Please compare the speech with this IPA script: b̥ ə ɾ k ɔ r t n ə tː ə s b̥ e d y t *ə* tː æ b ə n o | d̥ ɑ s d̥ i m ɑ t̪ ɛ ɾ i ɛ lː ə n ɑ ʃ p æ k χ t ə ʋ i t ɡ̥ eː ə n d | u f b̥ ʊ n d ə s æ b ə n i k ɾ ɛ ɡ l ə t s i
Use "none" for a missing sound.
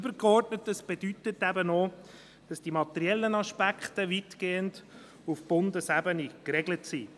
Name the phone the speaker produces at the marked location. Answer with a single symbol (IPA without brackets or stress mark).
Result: ə